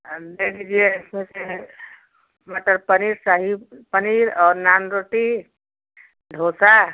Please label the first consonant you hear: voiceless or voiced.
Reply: voiced